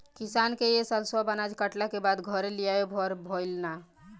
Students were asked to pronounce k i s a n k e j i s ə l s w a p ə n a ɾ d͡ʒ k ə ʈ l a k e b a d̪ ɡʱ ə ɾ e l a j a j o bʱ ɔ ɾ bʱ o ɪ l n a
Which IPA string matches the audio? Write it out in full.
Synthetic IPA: k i s a n k e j e s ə l s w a b ə n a d͡ʒ k ə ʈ l a k e b a d̪ ɡʱ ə ɾ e l i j a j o bʱ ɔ ɾ bʱ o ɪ l n a